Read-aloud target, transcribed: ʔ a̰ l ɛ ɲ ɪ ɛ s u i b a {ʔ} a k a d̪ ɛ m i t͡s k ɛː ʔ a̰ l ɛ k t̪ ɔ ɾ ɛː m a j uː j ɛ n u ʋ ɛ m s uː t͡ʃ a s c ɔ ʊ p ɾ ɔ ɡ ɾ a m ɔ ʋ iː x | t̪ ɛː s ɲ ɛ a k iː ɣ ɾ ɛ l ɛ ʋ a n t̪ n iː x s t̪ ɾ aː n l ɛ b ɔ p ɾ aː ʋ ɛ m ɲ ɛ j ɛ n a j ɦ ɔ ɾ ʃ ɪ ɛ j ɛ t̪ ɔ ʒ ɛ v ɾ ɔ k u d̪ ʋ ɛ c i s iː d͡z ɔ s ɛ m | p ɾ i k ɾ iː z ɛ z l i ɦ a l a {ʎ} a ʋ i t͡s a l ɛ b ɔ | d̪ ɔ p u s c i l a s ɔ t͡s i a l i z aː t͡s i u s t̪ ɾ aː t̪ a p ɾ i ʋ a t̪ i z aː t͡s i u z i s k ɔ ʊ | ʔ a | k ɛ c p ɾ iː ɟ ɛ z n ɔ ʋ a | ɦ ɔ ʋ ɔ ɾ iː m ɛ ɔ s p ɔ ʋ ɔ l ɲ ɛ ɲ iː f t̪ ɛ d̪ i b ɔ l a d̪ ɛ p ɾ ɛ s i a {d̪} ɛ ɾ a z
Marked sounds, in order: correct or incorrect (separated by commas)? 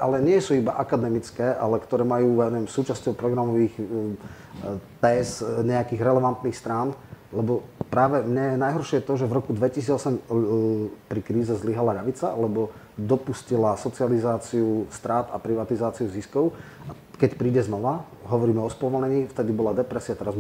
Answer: correct, correct, incorrect